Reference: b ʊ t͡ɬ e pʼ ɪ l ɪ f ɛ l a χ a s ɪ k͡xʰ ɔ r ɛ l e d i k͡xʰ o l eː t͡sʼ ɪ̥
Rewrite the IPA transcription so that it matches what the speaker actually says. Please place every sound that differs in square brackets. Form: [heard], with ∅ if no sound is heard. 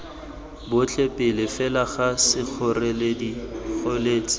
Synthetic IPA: b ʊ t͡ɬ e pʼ ɪ l ɪ f ɛ l a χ a s ɪ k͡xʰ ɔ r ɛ l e d i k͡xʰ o l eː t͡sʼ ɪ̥